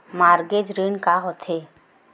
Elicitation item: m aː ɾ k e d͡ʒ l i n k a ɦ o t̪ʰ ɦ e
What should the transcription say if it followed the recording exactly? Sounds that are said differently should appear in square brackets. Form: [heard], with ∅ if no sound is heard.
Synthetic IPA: m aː ɾ [ɡ] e d͡ʒ [ɾ] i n k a ɦ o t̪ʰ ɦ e